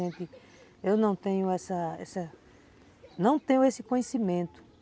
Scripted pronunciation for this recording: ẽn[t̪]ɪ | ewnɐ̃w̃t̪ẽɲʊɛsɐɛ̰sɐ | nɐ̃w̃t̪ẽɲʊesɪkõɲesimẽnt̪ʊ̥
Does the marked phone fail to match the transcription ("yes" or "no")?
no